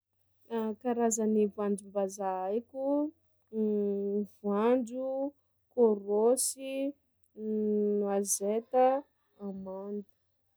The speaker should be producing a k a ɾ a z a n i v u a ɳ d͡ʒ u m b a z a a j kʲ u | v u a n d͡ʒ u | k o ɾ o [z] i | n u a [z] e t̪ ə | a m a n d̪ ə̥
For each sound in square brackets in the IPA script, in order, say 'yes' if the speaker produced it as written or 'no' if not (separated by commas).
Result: no, yes